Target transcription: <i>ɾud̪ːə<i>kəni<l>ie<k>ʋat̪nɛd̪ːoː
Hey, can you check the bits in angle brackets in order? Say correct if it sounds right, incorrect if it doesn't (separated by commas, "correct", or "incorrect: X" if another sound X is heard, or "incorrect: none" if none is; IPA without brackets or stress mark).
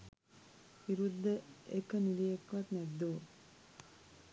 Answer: correct, incorrect: e, correct, correct